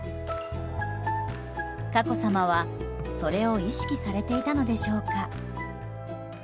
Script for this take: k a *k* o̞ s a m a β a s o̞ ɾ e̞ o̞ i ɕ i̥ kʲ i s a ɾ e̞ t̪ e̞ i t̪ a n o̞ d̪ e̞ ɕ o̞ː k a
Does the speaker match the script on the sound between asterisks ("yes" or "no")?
yes